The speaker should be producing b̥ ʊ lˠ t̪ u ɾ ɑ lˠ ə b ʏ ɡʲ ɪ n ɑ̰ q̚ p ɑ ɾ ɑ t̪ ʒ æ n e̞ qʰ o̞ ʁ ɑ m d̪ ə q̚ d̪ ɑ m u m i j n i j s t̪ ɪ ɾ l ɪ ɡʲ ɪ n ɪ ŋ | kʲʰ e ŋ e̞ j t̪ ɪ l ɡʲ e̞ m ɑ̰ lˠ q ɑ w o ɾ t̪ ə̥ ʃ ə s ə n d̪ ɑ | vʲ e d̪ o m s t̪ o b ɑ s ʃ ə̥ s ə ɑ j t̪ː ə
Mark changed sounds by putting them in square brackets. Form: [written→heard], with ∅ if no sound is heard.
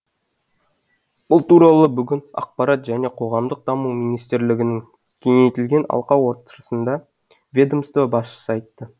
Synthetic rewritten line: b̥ ʊ lˠ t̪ u ɾ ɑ lˠ ə b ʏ ɡʲ ɪ n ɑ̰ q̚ p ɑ ɾ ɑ t̪ ʒ æ n e̞ qʰ o̞ ʁ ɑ m d̪ ə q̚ d̪ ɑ m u m i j n i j s t̪ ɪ ɾ l ɪ ɡʲ ɪ n ɪ ŋ | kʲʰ e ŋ e̞ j t̪ ɪ l ɡʲ e̞ [m→n] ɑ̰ lˠ q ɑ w o ɾ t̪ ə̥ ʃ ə s ə n d̪ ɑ | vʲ e d̪ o m s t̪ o b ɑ s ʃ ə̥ s ə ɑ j t̪ː ə